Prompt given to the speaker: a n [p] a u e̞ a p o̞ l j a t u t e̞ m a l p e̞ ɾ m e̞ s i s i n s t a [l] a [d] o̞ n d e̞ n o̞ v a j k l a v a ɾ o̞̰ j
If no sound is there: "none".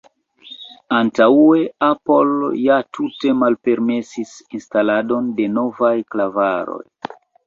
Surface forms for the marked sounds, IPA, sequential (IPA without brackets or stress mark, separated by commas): t, l, d